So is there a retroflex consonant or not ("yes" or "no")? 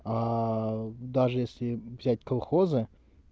yes